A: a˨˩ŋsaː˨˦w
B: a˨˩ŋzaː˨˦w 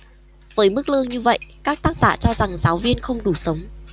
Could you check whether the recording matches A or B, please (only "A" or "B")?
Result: B